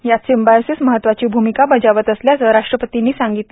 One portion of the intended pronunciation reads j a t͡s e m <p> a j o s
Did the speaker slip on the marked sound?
yes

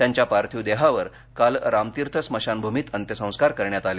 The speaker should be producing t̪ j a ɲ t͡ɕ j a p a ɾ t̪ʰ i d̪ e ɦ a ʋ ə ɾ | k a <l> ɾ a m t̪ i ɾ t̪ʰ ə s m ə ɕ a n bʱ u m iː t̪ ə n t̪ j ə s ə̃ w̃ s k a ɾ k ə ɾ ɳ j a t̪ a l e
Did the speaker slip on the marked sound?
no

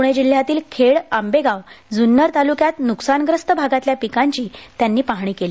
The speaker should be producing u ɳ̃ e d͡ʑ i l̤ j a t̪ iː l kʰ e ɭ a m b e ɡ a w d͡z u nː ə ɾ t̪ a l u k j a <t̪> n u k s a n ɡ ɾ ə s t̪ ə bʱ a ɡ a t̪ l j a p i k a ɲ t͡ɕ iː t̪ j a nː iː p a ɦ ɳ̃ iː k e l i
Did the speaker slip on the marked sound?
no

